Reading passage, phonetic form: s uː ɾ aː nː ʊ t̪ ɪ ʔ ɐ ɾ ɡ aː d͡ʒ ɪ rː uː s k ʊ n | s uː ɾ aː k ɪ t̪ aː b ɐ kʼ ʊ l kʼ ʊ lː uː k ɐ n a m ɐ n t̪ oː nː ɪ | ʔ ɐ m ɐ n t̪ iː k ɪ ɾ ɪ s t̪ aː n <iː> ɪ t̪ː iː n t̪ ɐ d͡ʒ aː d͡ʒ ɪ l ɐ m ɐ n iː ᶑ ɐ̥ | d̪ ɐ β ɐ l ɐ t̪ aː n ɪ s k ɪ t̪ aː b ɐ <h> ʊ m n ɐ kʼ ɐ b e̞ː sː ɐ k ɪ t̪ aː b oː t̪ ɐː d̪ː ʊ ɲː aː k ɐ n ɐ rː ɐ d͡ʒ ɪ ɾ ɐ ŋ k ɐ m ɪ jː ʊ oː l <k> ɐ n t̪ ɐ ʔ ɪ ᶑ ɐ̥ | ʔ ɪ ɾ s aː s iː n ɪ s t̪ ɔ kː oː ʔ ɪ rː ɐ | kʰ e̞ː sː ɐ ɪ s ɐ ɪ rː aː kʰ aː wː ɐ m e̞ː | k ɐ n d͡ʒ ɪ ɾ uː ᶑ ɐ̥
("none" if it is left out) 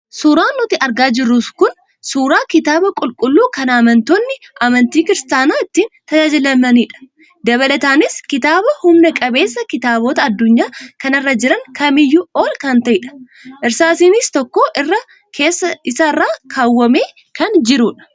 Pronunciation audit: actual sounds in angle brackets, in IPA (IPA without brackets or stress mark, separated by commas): aː, h, k